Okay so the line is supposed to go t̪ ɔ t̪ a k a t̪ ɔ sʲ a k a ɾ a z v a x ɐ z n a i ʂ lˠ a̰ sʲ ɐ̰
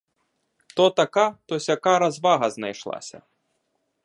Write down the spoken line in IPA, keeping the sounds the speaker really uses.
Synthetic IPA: t̪ ɔ t̪ a k a t̪ ɔ sʲ a k a ɾ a z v a ɣ ɐ z n a j ʂ lˠ a̰ sʲ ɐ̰